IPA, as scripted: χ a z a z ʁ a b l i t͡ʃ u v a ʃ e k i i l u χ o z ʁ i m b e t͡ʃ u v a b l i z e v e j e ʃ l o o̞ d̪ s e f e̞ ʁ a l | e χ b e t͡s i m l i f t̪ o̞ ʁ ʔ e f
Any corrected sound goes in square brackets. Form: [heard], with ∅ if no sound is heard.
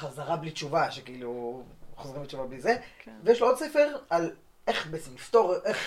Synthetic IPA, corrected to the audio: χ a z a [∅] ʁ a b l i t͡ʃ u v a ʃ e k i i l u χ o z ʁ i m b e t͡ʃ u v a b l i z e v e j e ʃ l o o̞ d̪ s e f e̞ ʁ a l | e χ b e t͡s i m l i f t̪ o̞ ʁ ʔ e [χ]